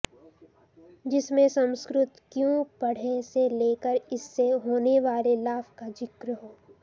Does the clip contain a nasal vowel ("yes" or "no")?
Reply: yes